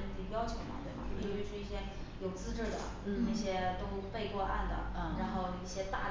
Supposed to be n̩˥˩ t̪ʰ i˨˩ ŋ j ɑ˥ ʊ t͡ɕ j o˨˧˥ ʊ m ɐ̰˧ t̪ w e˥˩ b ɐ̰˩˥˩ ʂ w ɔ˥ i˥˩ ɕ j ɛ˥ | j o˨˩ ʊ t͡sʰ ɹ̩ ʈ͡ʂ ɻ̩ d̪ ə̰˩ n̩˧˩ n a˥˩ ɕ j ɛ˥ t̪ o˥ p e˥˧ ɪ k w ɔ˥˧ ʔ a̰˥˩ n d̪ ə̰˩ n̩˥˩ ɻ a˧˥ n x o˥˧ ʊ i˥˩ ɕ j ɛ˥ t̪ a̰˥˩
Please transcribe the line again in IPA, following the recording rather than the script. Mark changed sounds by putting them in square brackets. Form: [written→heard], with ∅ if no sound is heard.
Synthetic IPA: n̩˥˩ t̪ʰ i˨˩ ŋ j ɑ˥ ʊ [t͡ɕ→t͡ɕʰ] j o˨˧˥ ʊ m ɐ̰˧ t̪ w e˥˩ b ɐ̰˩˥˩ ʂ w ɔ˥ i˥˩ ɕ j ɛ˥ | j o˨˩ ʊ [t͡sʰ→t͡s] ɹ̩ ʈ͡ʂ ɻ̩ d̪ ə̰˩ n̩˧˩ n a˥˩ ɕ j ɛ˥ t̪ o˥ p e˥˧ ɪ k w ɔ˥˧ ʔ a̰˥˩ n d̪ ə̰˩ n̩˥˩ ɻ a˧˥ n x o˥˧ ʊ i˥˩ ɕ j ɛ˥ t̪ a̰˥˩